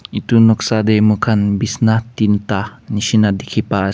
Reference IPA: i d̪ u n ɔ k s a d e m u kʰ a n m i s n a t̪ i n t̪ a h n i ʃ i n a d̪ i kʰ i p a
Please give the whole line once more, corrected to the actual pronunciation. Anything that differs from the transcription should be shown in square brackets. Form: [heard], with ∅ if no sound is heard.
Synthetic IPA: i [t̪] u n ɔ k s a d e m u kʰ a n [b] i s n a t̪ i n t̪ a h n i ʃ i n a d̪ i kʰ i p a

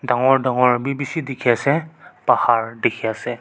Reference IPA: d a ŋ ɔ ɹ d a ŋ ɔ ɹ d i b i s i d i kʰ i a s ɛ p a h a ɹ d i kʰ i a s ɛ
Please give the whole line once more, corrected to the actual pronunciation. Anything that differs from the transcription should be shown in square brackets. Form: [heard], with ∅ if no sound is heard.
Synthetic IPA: d a ŋ ɔ ɹ d a ŋ ɔ ɹ [b] i b i s i d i kʰ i a s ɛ p a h a ɹ d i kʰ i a s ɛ

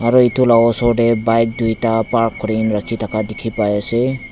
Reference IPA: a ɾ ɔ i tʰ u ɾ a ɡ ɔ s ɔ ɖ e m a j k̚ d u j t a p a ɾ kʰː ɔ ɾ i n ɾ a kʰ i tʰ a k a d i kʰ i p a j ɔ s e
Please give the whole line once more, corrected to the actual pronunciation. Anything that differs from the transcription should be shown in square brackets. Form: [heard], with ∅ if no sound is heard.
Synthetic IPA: a ɾ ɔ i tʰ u [l] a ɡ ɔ s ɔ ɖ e [b] a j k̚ d u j t a p a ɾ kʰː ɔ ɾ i n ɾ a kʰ i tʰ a k a d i kʰ i p a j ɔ s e

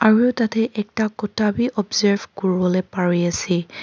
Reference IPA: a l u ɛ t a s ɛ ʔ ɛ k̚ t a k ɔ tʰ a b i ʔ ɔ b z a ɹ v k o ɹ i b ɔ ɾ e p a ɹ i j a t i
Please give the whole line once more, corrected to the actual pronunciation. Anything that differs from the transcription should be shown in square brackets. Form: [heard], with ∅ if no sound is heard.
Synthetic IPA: a [ɹ] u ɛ t a [t] ɛ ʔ ɛ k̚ t a k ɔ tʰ a b i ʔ ɔ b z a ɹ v k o ɹ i b ɔ [l] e p a ɹ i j a [s] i

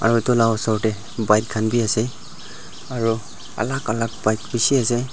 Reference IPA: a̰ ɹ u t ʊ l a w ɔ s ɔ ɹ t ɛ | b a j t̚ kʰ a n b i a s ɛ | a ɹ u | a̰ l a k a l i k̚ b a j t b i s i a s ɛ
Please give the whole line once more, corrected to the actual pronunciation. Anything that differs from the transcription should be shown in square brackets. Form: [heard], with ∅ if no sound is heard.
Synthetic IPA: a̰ ɹ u t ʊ l a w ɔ s ɔ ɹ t ɛ | b a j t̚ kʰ a n b i a s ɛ | a ɹ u | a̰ l a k a l [a] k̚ b a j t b i s i a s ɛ

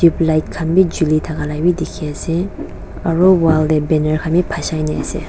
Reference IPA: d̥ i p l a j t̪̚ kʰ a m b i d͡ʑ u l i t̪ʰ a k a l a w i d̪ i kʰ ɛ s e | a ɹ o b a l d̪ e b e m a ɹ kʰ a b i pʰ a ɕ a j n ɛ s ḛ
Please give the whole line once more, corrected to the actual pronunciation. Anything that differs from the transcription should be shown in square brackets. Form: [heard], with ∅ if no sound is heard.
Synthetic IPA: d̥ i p l a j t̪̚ kʰ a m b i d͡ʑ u l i t̪ʰ a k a l a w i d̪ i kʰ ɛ s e | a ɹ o [w] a l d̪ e b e [n] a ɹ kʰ a [m] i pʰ a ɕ a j n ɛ s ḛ

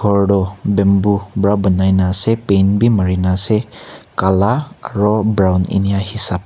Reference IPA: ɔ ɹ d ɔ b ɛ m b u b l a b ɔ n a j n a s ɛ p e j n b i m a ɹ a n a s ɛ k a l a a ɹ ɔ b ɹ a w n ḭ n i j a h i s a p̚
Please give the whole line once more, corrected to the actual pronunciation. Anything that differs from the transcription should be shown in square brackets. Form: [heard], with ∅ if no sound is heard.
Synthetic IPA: ɔ ɹ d ɔ b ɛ m b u b [ɹ] a b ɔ n a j n a s ɛ p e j n b i m a ɹ [i] n a s ɛ k a l a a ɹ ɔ b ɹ a w n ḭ n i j a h i s a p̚

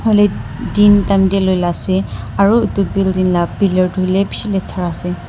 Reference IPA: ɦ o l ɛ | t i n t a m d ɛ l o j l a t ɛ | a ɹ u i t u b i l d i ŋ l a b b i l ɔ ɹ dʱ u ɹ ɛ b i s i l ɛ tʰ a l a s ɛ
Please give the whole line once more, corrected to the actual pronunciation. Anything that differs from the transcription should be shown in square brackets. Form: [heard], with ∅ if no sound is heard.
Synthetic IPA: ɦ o l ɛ | [d] i n t a m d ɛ l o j l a [s] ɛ | a ɹ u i t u b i l d i [n] l a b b i l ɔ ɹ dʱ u [l] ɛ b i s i l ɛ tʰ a [ɹ] a s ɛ

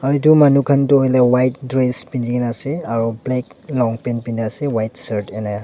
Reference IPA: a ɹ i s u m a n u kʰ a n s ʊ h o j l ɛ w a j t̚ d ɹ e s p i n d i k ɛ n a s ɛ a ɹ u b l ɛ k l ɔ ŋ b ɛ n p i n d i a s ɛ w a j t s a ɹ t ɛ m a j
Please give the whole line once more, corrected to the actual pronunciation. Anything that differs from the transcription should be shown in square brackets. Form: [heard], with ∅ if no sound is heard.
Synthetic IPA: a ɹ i [t] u m a n u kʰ a n [t] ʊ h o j l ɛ w a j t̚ d ɹ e s p i n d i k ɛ n a s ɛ a ɹ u b l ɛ k l ɔ ŋ [p] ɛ n p i n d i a s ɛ w a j t s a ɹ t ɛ [n] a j

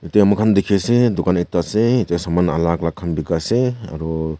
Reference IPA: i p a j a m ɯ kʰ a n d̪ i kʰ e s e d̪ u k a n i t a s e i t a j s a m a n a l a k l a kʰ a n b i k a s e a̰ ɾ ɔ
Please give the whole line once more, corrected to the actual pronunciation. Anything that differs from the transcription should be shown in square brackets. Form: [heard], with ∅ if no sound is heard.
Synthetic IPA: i [t] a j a m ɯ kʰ a n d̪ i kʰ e s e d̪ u k a n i t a s e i t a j s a m a n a l a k l a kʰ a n b i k a s e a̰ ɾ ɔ

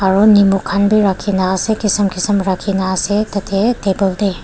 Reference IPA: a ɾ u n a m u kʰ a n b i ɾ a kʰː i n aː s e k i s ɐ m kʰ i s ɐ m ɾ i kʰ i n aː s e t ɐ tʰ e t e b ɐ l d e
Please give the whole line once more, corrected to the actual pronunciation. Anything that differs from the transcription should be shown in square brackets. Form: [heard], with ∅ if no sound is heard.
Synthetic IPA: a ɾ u n [i] m u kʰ a n b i ɾ a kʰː i n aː s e k i s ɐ m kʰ i s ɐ m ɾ [a] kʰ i n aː s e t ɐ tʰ e t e b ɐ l d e

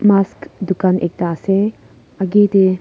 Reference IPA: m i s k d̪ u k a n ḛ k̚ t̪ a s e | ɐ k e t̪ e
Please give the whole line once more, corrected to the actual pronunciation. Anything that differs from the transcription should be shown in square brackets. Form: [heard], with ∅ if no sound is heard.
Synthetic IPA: m [a] s k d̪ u k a n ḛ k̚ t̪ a s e | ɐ [ɡ] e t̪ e

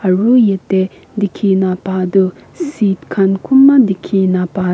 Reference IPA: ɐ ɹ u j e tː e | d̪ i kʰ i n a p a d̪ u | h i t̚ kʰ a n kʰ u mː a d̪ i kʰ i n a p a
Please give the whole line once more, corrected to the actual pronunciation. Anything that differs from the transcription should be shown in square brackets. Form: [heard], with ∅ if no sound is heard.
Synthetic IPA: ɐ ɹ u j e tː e | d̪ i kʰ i n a p a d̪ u | [s] i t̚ kʰ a n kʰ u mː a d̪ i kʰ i n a p a

